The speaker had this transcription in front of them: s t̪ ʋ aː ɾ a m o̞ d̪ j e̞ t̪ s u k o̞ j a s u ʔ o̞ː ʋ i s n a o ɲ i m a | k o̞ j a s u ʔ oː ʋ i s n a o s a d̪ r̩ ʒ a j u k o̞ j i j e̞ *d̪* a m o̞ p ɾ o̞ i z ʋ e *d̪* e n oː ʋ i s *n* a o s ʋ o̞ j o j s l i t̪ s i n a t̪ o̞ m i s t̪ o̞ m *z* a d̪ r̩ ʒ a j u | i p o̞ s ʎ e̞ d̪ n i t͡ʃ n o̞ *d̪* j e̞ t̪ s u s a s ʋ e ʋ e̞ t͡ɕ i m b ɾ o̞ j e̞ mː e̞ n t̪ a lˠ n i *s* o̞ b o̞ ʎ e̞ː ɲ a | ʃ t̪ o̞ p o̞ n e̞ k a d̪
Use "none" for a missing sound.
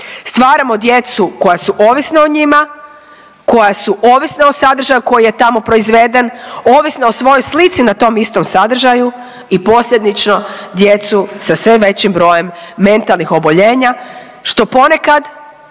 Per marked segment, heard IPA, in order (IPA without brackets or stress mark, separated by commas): t̪, d̪, n, s, d̪, x